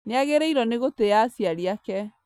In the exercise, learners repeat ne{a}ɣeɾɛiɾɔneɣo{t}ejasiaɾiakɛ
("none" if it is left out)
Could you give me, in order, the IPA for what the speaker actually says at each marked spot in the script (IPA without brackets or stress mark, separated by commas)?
a, t